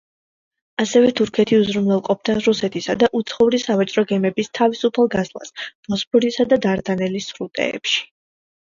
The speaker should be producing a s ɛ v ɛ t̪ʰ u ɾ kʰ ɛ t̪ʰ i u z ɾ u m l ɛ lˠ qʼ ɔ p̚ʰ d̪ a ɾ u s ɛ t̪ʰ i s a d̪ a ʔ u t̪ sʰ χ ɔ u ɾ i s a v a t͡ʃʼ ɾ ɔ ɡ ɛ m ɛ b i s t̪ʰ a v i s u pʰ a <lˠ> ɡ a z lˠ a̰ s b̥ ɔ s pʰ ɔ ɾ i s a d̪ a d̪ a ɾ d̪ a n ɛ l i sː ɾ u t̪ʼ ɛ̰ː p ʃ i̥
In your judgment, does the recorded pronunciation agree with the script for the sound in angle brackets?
yes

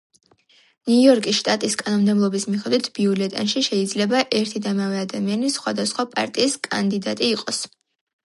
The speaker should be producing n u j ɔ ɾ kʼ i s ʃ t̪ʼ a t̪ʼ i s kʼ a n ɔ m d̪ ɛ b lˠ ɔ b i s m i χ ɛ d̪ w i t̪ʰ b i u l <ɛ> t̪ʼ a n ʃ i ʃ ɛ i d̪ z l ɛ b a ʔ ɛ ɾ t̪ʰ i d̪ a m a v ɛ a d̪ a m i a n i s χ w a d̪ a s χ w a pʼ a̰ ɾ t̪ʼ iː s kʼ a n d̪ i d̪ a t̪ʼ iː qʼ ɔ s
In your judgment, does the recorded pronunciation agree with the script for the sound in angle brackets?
yes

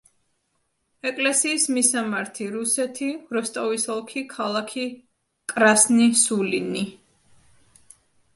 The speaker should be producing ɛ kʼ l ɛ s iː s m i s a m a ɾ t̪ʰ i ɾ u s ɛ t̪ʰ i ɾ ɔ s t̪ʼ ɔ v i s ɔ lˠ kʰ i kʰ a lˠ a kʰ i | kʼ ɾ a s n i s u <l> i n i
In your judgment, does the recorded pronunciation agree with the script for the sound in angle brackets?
yes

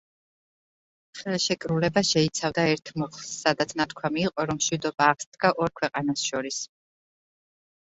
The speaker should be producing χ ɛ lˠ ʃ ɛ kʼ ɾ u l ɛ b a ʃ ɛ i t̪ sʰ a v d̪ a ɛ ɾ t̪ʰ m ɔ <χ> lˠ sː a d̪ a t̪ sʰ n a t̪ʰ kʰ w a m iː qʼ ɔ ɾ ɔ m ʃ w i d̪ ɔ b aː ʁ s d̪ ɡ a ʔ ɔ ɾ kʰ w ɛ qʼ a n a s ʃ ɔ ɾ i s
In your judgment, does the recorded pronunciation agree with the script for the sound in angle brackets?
yes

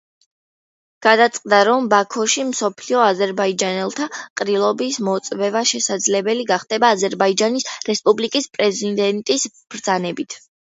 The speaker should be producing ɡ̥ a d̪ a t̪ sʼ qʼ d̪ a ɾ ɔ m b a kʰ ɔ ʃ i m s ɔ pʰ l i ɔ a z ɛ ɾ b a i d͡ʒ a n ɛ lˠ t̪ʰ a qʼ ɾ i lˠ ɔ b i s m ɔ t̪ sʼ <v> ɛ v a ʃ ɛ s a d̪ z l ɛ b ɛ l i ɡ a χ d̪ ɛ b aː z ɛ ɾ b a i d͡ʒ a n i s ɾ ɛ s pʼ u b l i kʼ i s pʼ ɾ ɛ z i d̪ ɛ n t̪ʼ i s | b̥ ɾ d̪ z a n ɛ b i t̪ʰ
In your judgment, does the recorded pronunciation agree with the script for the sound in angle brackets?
yes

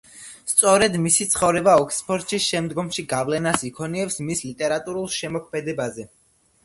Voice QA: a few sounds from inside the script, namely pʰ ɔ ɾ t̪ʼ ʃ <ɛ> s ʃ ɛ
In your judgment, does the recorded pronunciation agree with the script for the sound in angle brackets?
no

